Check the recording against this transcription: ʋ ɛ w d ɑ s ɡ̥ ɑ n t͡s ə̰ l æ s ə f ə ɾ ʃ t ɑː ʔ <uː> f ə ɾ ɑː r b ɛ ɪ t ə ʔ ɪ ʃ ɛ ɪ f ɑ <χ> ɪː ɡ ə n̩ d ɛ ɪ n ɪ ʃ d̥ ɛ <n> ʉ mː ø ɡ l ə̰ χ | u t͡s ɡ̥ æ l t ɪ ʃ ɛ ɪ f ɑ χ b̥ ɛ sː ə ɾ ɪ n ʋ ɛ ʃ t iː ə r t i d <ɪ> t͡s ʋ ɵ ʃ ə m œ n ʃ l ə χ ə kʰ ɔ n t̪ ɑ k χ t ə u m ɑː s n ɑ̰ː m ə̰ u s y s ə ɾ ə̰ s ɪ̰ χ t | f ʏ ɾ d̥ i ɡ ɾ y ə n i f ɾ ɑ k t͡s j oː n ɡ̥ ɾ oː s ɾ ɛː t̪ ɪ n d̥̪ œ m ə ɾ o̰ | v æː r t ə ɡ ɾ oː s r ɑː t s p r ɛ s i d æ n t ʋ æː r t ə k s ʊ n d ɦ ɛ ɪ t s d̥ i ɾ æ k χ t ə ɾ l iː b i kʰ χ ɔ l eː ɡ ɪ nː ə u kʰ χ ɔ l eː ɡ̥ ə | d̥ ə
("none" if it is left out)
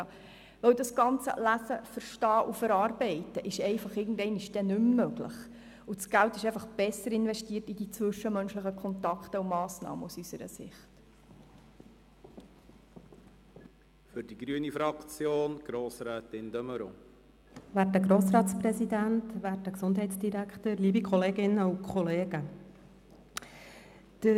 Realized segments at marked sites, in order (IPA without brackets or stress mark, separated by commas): u, χ, n, i